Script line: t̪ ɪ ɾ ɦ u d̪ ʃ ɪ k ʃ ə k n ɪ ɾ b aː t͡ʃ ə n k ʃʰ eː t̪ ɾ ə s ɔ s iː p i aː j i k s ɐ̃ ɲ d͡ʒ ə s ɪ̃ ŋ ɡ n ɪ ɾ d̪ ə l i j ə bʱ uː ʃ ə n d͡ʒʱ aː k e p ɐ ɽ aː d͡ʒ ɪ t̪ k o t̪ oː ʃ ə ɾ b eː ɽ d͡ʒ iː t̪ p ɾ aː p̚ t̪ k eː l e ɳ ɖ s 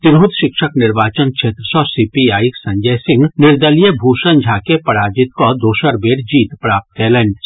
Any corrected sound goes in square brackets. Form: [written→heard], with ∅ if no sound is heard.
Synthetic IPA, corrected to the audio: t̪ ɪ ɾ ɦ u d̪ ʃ ɪ k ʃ ə k n ɪ ɾ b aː t͡ʃ ə n k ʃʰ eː t̪ ɾ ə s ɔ s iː p i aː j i k s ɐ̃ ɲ d͡ʒ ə s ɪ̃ ŋ ɡ n ɪ ɾ d̪ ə l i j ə bʱ uː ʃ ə n d͡ʒʱ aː k e p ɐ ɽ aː d͡ʒ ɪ t̪ k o [t̪→d̪] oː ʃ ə ɾ b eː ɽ d͡ʒ iː t̪ p ɾ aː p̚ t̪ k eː l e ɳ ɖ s